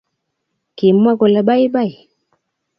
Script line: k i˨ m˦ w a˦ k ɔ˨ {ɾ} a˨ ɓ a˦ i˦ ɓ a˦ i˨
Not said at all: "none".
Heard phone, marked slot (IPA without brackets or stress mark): l